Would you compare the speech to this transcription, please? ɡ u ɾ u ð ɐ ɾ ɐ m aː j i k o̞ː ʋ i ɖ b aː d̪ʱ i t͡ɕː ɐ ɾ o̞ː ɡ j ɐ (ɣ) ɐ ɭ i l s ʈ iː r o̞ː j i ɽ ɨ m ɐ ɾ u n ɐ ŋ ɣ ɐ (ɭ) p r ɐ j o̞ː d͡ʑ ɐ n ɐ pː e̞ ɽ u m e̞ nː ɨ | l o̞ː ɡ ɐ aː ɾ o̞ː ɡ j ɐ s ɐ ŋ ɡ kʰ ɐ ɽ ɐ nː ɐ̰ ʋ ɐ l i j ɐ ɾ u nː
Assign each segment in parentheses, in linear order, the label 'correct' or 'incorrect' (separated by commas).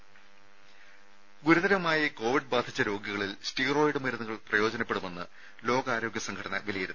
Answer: correct, correct